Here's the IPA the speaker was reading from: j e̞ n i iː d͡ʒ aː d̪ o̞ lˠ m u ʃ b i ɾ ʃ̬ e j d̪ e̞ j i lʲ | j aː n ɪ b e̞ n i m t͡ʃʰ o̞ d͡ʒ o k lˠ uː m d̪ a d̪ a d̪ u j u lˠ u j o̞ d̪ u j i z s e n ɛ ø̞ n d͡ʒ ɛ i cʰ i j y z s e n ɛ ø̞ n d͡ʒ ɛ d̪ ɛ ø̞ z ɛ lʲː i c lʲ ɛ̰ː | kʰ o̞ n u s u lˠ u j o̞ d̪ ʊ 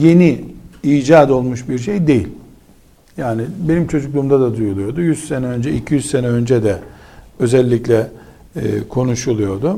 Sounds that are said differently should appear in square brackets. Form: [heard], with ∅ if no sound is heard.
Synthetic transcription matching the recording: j e̞ n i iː d͡ʒ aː d̪ o̞ lˠ m u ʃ b i ɾ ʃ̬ e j d̪ e̞ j i lʲ | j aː n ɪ b e̞ n i m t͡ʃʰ o̞ d͡ʒ [u] k lˠ uː m d̪ a d̪ a d̪ u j u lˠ u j o̞ d̪ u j [y] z s e n ɛ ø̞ n d͡ʒ ɛ i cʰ i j y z s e n ɛ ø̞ n d͡ʒ ɛ d̪ ɛ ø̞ z ɛ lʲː i c lʲ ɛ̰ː | kʰ o̞ n u [ʃ] u lˠ u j o̞ d̪ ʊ